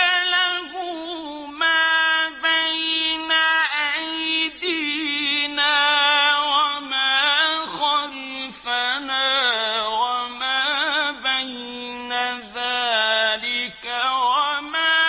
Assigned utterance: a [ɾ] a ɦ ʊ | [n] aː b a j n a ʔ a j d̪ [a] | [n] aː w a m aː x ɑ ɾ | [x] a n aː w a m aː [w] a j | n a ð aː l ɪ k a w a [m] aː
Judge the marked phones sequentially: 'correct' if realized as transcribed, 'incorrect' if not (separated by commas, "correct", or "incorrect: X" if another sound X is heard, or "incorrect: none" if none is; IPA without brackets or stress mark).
incorrect: l, incorrect: m, incorrect: i, correct, incorrect: f, incorrect: b, correct